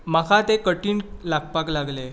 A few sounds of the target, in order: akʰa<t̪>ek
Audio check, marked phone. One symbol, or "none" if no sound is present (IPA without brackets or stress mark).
t̪